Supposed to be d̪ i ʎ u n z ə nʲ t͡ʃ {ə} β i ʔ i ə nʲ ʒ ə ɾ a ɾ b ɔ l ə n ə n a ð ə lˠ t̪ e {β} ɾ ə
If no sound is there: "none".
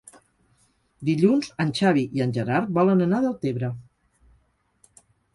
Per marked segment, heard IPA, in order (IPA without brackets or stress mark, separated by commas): a, β